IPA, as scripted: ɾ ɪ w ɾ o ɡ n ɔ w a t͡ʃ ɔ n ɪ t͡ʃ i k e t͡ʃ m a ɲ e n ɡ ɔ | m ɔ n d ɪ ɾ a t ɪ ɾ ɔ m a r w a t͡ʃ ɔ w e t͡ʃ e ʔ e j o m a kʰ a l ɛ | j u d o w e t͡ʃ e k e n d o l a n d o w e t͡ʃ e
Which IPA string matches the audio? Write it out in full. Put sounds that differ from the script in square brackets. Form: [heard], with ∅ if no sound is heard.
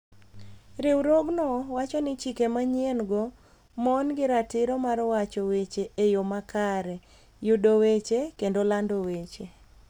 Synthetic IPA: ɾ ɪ w ɾ o ɡ n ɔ w a t͡ʃ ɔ n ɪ t͡ʃ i k e [∅] m a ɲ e n ɡ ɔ | m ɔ n [ɡ] ɪ ɾ a t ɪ ɾ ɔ m a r w a t͡ʃ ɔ w e t͡ʃ e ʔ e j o m a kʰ a [ɾ] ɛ | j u d o w e t͡ʃ e k e n d o l a n d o w e t͡ʃ e